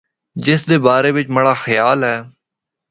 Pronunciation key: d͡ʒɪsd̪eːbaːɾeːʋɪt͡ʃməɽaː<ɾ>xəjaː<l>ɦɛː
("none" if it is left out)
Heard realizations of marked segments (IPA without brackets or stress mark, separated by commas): none, l